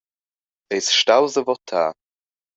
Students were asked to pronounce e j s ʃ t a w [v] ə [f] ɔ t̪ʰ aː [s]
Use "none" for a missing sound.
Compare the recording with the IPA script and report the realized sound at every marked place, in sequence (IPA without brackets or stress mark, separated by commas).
z, v, none